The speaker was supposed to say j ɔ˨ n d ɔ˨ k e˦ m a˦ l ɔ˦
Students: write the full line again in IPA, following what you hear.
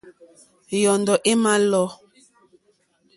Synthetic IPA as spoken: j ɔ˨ n d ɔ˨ ʔ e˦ m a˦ l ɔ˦

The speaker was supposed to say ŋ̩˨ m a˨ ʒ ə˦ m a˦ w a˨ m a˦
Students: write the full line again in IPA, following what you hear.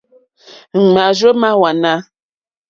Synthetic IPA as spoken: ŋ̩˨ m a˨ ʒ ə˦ m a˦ w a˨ n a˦

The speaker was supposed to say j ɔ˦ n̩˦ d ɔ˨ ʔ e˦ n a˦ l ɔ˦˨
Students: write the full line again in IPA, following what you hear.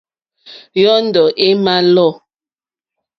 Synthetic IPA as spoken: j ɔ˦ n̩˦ d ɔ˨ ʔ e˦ m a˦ l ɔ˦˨

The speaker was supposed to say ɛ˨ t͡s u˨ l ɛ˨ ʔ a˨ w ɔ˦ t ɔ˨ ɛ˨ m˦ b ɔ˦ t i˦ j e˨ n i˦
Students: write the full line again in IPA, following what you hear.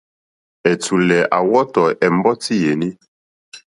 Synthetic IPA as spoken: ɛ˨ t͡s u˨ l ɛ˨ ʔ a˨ w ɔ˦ t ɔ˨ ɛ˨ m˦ b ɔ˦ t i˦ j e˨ n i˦

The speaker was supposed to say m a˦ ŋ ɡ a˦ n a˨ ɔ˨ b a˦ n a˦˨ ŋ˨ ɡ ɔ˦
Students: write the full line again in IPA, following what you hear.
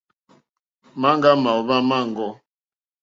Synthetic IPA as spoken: m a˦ ŋ ɡ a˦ m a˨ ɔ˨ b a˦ m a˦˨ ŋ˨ ɡ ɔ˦

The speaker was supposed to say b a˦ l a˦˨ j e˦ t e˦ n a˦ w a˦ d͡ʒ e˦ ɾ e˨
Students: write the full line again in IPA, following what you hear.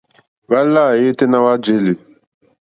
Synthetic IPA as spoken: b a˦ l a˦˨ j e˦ t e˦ n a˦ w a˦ d͡ʒ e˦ l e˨

